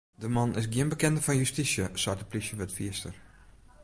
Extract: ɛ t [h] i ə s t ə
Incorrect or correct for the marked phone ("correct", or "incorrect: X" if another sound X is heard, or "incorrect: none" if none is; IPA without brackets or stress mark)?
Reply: incorrect: f